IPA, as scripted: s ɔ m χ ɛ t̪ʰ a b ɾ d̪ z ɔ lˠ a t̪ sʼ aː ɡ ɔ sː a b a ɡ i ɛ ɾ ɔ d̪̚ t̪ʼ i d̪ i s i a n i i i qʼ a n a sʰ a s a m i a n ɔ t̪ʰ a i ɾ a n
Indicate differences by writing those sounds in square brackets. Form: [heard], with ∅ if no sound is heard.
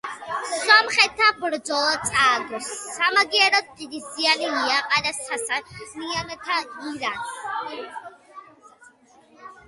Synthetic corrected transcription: s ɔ m χ ɛ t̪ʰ a b ɾ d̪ z ɔ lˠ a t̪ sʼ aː ɡ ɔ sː a [m] a ɡ i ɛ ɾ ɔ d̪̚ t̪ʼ i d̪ i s i a n i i [a] qʼ a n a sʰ a s a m i a n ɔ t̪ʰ a i ɾ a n

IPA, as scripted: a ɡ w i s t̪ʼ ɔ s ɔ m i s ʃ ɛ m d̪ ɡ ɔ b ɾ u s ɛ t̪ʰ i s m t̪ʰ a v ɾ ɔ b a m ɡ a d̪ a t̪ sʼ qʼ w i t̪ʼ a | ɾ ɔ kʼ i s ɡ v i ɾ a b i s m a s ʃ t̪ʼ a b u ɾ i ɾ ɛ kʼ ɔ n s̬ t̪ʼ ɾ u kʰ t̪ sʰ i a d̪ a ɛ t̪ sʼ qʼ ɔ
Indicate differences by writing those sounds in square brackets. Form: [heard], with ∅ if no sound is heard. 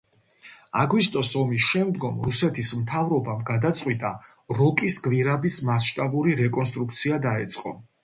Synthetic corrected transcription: a ɡ w i s t̪ʼ ɔ s ɔ m i s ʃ ɛ m d̪ ɡ ɔ [m] ɾ u s ɛ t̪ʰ i s m t̪ʰ a v ɾ ɔ b a m ɡ a d̪ a t̪ sʼ qʼ w i t̪ʼ a | ɾ ɔ kʼ i s ɡ v i ɾ a b i s m a s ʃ t̪ʼ a b u ɾ i ɾ ɛ kʼ ɔ n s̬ t̪ʼ ɾ u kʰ t̪ sʰ i a d̪ a ɛ t̪ sʼ qʼ ɔ

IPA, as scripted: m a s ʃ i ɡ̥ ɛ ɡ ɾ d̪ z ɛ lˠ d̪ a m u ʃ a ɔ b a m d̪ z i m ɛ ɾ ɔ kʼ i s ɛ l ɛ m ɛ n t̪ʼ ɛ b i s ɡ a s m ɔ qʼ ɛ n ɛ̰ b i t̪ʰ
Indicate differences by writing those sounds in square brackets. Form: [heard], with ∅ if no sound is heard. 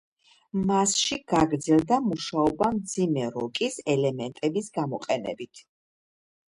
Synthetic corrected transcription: m a s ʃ i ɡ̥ [a] ɡ ɾ d̪ z ɛ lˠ d̪ a m u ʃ a ɔ b a m d̪ z i m ɛ ɾ ɔ kʼ i s ɛ l ɛ m ɛ n t̪ʼ ɛ b i s ɡ a [∅] m ɔ qʼ ɛ n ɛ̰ b i t̪ʰ

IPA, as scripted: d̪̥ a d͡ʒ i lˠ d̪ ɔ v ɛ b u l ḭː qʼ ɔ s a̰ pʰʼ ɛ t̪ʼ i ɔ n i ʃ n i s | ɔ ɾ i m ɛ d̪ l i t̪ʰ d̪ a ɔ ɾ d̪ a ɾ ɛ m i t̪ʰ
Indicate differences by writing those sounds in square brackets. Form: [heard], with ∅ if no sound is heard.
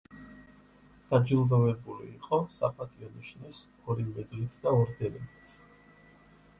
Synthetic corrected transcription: d̪̥ a d͡ʒ i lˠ d̪ ɔ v ɛ b u l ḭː qʼ ɔ s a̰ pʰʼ [a] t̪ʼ i ɔ n i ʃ n i s | ɔ ɾ i m ɛ d̪ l i t̪ʰ d̪ a ɔ ɾ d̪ [ɛ] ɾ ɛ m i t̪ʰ

